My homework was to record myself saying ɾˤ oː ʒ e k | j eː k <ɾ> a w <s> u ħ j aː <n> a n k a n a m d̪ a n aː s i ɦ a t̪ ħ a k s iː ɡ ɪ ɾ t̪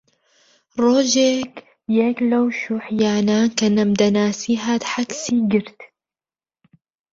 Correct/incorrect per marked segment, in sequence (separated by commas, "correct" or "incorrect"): incorrect, incorrect, correct